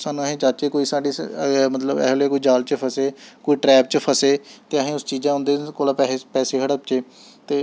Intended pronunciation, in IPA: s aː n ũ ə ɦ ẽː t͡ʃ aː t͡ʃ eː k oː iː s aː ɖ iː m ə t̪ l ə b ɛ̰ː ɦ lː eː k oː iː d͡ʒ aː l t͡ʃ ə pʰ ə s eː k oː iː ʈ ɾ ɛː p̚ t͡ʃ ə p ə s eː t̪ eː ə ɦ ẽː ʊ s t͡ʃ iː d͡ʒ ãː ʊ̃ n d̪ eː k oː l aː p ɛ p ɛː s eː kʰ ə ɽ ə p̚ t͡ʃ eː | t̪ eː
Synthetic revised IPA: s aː n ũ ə ɦ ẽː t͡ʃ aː t͡ʃ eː k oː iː s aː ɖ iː m ə t̪ l ə b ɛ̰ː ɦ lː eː k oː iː d͡ʒ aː l t͡ʃ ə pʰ ə s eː k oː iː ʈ ɾ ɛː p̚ t͡ʃ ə pʰ ə s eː t̪ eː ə ɦ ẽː ʊ s t͡ʃ iː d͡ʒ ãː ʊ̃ n d̪ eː k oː l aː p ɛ p ɛː s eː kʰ ə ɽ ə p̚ t͡ʃ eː | t̪ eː

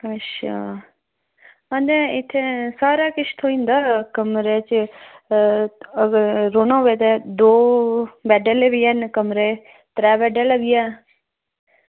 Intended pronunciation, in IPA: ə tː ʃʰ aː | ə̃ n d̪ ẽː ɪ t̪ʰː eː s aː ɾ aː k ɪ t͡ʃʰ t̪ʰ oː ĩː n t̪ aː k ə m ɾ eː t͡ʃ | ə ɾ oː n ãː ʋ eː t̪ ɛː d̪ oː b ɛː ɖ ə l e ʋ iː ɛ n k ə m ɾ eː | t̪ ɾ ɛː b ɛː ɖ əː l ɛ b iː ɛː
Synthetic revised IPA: ə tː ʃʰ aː | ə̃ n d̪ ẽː ɪ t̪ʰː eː s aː ɾ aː k ɪ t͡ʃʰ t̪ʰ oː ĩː n d̪ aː k ə m ɾ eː t͡ʃ | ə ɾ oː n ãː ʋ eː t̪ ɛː d̪ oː b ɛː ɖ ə l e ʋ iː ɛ n k ə m ɾ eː | t̪ ɾ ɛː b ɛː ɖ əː l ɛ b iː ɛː

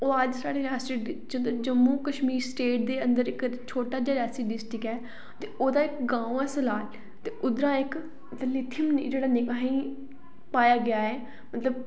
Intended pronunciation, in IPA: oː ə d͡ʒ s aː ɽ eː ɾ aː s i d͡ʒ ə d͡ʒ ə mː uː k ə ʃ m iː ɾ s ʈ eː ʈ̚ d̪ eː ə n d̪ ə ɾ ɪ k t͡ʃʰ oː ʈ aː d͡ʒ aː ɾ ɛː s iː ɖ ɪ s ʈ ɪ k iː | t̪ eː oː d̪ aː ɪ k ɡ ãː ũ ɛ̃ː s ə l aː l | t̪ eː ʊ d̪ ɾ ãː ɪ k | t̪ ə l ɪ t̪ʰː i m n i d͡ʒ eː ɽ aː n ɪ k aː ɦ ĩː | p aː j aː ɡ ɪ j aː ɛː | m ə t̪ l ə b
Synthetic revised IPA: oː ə d͡ʒ s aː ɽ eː ɾ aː s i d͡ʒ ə d͡ʒ ə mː uː k ə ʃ m iː ɾ s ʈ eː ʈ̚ d̪ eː ə n d̪ ə ɾ ɪ k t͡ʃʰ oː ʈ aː d͡ʒ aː ɾ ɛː s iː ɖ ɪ s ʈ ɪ k ɛː | t̪ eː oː d̪ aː ɪ k ɡ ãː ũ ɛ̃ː s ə l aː l | t̪ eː ʊ d̪ ɾ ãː ɪ k | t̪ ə l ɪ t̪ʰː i m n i d͡ʒ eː ɽ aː n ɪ k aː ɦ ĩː | p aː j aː ɡ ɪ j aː ɛː | m ə t̪ l ə b

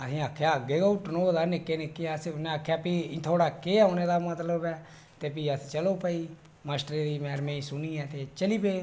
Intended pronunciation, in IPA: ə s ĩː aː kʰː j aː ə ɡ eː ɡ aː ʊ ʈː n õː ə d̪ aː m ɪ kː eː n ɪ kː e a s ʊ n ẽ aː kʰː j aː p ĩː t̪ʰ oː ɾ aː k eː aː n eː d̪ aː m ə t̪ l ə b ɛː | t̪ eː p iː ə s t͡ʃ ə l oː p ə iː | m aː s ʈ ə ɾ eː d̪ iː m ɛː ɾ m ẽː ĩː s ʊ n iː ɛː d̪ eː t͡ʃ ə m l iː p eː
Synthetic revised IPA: ə s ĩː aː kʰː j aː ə ɡ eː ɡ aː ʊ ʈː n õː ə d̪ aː n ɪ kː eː n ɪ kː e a s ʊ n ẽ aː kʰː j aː p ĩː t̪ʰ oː ɽ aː k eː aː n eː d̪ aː m ə t̪ l ə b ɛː | t̪ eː p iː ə s t͡ʃ ə l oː p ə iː | m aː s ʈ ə ɾ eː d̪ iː m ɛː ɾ m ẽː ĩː s ʊ n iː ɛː t̪ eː t͡ʃ ə l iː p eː

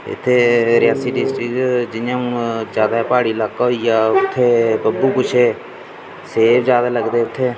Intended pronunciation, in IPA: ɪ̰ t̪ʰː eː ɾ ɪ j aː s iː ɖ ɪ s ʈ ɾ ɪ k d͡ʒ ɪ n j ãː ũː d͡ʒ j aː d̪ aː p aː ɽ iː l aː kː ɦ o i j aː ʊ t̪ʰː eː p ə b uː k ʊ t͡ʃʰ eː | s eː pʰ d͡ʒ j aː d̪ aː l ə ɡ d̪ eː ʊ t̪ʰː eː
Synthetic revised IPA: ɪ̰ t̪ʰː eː ɾ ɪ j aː s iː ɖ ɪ s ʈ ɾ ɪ k d͡ʒ ɪ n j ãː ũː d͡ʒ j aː d̪ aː p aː ɽ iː l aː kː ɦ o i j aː ʊ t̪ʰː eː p ə b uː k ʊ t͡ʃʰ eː | s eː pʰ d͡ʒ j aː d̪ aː l ə ɡ d̪ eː ʊ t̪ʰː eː

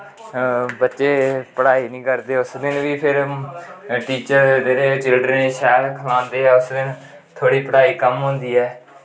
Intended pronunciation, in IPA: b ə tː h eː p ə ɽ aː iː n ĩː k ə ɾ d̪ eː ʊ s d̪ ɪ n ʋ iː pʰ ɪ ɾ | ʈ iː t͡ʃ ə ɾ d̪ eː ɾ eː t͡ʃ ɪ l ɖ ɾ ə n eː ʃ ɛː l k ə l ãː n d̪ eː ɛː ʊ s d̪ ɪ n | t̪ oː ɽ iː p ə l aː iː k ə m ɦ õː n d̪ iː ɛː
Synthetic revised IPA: b ə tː ʃ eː p ə ɽ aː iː n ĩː k ə ɾ d̪ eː ʊ s d̪ ɪ n ʋ iː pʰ ɪ ɾ | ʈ iː t͡ʃ ə ɾ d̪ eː ɾ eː t͡ʃ ɪ l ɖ ɾ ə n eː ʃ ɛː l kʰ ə l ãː n d̪ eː ɛː ʊ s d̪ ɪ n | t̪ʰ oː ɽ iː p ə ɽ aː iː k ə m ɦ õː n d̪ iː ɛː

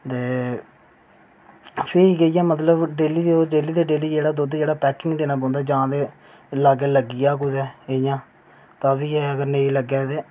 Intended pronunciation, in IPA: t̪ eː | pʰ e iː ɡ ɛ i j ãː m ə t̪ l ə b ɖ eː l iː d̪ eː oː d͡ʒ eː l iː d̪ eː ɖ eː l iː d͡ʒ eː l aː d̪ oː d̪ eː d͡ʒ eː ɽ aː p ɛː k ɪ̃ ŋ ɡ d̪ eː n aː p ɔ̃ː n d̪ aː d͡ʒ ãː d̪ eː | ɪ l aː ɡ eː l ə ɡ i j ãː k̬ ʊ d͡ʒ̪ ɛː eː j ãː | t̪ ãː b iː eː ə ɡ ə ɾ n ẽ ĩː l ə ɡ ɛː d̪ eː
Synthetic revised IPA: t̪ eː | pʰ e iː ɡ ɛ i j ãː m ə t̪ l ə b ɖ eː l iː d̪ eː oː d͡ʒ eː l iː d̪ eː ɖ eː l iː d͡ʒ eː ɽ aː d̪ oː d̪ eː d͡ʒ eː ɽ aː p ɛː k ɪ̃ ŋ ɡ d̪ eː n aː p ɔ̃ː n d̪ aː d͡ʒ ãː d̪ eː | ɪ l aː ɡ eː l ə ɡ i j aː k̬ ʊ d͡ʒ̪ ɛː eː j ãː | t̪ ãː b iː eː ə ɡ ə ɾ n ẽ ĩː l ə ɡ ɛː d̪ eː

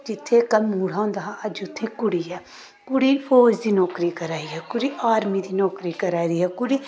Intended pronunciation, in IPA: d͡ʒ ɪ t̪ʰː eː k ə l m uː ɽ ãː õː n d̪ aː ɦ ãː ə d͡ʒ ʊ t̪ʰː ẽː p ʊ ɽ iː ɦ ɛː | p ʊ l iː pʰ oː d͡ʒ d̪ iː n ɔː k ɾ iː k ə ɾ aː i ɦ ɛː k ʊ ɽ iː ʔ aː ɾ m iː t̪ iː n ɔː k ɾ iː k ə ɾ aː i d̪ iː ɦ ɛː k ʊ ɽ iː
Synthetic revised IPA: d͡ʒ ɪ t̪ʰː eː k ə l m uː ɽ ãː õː n d̪ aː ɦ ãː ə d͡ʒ ʊ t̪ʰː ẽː k ʊ ɽ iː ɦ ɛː | k ʊ ɽ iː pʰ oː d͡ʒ d̪ iː n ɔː k ɾ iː k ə ɾ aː i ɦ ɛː k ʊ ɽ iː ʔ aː ɾ m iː d̪ iː n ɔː k ɾ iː k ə ɾ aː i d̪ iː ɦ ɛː k ʊ ɽ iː

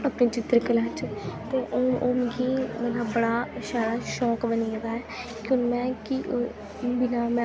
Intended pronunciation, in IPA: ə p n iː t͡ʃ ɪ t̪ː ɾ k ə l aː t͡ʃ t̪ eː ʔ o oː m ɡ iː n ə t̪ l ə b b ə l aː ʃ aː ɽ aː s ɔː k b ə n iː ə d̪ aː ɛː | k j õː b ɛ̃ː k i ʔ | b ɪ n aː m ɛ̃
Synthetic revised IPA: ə p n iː t͡ʃ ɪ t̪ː ɾ k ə l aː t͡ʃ t̪ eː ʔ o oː m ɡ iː m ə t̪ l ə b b ə ɽ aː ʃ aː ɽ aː ʃ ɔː k b ə n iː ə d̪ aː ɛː | k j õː m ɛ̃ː k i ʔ | b ɪ n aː m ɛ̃

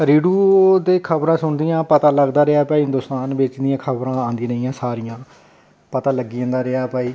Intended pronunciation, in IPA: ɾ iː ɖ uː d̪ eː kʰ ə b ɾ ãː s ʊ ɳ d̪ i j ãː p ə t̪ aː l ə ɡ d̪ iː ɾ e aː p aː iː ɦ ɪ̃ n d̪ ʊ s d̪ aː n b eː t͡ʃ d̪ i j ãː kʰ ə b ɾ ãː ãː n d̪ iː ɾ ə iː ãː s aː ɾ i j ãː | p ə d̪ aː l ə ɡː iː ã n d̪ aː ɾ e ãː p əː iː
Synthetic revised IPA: ɾ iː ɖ uː d̪ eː kʰ ə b ɾ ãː s ʊ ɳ d̪ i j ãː p ə t̪ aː l ə ɡ d̪ aː ɾ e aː p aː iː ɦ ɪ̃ n d̪ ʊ s t̪ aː n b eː t͡ʃ d̪ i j ãː kʰ ə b ɾ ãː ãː n d̪ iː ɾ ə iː ãː s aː ɾ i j ãː | p ə t̪ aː l ə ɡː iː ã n d̪ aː ɾ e aː p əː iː

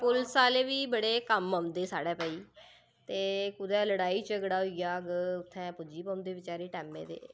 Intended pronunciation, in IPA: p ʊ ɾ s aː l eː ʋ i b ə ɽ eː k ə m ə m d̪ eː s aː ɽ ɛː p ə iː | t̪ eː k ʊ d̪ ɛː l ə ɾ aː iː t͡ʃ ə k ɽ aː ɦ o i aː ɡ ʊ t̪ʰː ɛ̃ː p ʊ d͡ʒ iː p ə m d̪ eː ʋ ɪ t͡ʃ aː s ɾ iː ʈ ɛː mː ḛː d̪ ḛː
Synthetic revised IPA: p ʊ l s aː l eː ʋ iː b ə ɽ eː k ə m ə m d̪ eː s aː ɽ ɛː p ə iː | t̪ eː k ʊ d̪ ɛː l ə ɽ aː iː t͡ʃ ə ɡ ɽ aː ɦ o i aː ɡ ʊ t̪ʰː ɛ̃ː p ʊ d͡ʒ iː p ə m d̪ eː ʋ ɪ t͡ʃ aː ɾ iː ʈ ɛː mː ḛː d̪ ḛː

